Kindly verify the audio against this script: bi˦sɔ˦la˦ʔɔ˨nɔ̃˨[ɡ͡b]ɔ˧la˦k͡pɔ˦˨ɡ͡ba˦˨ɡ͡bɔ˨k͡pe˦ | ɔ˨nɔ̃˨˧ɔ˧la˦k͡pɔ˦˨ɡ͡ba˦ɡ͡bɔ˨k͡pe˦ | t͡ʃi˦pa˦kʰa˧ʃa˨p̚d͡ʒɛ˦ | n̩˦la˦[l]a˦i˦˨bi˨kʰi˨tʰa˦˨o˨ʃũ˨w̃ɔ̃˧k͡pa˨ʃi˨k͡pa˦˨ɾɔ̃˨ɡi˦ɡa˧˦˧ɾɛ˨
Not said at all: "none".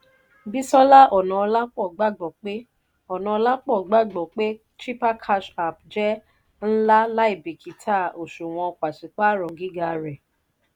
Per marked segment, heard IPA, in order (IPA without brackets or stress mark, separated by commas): none, l